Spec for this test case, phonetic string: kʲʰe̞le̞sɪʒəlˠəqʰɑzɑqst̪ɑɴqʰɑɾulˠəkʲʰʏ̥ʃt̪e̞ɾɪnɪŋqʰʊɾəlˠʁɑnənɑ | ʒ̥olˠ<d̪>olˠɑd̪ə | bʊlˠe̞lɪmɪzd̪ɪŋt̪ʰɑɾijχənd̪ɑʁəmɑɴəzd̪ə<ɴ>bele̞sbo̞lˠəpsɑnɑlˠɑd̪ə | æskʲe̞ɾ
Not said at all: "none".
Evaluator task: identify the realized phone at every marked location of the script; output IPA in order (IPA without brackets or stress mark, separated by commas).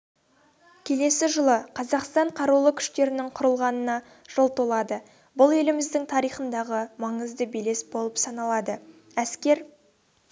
t̪, none